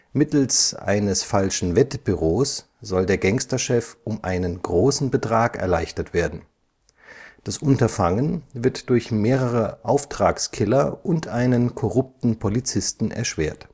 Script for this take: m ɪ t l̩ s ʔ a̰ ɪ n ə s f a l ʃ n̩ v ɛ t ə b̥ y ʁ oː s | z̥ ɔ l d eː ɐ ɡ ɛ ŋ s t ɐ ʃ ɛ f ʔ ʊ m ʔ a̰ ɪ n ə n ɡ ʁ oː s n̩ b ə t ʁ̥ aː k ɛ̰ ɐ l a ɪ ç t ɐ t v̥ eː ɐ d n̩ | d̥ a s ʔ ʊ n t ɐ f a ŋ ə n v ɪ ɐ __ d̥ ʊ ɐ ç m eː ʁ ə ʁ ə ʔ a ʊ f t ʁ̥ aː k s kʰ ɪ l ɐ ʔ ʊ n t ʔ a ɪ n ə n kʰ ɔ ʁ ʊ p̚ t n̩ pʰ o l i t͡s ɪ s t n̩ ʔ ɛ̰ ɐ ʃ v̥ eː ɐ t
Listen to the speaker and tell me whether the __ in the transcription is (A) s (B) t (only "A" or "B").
B